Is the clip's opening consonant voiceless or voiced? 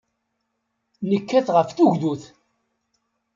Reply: voiced